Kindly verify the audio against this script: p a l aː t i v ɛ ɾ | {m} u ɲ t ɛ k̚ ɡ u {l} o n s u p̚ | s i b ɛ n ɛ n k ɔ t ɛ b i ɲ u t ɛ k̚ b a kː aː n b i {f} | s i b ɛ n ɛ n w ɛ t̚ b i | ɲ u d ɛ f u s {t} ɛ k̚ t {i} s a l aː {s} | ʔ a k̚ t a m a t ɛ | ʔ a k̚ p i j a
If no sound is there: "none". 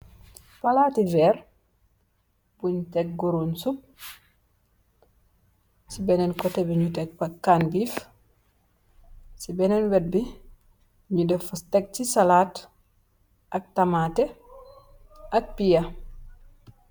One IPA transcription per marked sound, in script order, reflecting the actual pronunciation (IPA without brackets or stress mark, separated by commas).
b, ɾ, f, t, i, t